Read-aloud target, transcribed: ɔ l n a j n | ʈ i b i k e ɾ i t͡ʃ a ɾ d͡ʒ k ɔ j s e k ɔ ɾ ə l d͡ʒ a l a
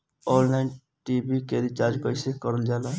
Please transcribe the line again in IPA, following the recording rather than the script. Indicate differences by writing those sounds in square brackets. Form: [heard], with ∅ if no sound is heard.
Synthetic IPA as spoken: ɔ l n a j n | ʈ i b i k e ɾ i t͡ʃ a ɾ d͡ʒ k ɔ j s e k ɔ ɾ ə l d͡ʒ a l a